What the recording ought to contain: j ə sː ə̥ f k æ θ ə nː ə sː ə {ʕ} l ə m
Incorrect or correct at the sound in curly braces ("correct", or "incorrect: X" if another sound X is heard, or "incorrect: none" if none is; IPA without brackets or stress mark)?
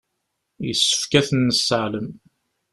correct